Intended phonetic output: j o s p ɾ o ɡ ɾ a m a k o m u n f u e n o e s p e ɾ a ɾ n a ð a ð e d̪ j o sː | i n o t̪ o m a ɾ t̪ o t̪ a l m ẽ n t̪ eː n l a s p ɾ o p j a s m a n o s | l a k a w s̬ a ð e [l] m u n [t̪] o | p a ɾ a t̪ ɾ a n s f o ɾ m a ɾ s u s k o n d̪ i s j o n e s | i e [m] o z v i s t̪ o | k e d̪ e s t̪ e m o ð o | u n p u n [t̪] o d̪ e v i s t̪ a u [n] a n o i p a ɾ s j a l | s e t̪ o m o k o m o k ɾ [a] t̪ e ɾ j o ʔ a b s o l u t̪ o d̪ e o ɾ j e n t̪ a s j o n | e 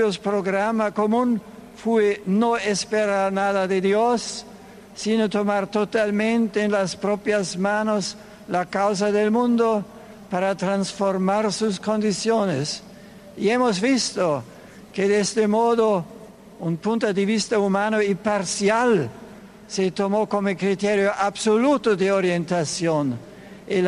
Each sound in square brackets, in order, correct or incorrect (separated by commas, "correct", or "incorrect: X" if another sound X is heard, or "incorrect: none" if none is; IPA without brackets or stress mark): correct, incorrect: d̪, correct, correct, incorrect: m, incorrect: i